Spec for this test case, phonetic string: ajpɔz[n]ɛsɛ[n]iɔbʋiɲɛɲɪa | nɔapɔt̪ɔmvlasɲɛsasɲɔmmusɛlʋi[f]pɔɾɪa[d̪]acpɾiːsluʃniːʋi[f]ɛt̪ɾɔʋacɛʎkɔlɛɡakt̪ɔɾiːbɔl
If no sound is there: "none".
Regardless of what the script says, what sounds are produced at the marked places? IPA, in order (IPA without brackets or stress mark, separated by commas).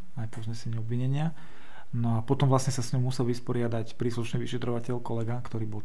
ɲ, ɲ, s, d̪, ʃ